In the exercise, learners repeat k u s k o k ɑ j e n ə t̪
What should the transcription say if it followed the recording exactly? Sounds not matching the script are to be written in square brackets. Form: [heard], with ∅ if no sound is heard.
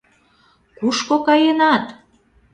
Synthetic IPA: k u [ʃ] k o k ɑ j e n [ɑ] t̪